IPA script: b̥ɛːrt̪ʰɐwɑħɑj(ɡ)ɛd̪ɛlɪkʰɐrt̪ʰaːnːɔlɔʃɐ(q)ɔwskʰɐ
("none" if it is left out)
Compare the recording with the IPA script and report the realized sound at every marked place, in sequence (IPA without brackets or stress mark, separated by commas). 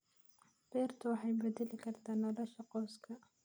b, q